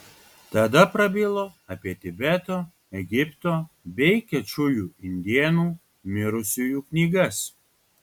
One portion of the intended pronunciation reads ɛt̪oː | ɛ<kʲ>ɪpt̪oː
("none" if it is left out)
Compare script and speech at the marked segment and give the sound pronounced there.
ɡʲ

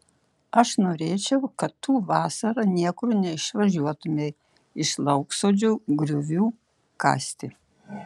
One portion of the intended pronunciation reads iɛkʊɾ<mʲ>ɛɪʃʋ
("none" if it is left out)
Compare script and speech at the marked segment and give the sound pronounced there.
nʲ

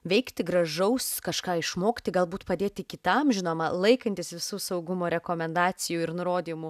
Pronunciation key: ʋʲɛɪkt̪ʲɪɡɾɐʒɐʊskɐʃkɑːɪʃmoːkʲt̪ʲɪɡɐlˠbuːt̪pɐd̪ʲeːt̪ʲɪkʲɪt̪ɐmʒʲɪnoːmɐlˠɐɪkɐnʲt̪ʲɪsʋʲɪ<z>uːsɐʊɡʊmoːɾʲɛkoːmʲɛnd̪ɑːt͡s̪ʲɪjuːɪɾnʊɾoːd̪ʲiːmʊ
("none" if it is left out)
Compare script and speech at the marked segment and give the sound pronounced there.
s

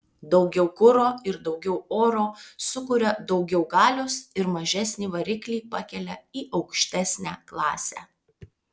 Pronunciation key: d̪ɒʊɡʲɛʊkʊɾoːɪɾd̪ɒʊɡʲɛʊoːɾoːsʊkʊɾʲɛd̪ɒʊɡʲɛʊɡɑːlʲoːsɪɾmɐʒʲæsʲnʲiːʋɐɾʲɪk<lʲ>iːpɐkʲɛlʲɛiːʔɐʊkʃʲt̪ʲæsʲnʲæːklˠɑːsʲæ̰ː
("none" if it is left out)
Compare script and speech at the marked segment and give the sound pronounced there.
lʲ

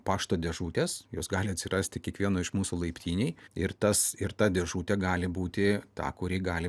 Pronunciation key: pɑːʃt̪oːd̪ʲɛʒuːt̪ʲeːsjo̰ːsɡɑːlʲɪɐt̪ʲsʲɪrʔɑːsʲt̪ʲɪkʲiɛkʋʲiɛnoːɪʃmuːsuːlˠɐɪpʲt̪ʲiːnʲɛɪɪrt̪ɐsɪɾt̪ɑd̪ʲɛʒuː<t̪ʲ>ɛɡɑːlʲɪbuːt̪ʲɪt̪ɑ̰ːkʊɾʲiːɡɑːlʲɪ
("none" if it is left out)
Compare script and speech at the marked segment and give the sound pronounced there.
t̪ʲ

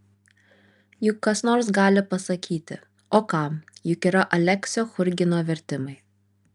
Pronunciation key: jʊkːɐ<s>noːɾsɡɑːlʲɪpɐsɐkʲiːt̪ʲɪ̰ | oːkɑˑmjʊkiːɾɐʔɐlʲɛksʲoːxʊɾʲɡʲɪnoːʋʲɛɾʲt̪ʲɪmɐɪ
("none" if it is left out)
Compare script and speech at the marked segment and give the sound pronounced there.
s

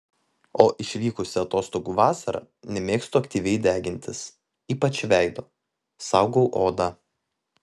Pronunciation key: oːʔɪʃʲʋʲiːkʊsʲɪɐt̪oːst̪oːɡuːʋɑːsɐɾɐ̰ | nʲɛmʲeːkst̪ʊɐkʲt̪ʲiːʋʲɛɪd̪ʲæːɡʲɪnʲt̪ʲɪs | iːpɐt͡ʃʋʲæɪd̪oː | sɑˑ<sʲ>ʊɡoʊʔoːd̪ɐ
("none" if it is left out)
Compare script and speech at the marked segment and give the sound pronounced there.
none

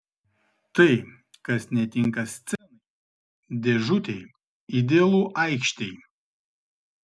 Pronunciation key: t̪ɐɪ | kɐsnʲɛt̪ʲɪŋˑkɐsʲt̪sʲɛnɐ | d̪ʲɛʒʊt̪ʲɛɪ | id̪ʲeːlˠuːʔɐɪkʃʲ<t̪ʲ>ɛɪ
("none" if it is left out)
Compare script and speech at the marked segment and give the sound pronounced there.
t̪ʲ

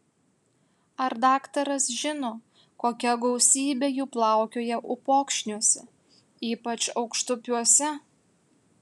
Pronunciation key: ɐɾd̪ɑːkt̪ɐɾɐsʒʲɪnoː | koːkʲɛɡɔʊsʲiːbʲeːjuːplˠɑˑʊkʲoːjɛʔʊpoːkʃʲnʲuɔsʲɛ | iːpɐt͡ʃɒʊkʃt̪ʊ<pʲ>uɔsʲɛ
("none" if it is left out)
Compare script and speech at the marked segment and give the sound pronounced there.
pʲ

